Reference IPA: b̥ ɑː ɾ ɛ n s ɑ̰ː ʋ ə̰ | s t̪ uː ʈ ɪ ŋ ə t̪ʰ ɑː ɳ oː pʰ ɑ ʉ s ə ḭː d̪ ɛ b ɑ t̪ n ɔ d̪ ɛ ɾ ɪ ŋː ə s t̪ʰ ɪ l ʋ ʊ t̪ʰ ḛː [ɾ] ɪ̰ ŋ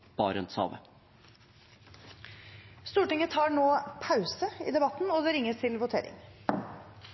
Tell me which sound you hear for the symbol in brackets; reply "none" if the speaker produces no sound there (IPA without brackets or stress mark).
ɾ